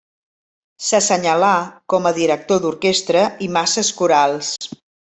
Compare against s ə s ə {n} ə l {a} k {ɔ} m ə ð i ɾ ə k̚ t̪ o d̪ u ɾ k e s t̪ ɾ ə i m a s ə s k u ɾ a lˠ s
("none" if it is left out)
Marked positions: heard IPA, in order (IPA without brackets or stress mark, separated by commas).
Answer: ɲ, a, ɔ